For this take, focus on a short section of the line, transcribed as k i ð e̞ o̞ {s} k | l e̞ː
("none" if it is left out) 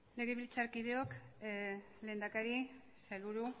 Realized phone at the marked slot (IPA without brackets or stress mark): none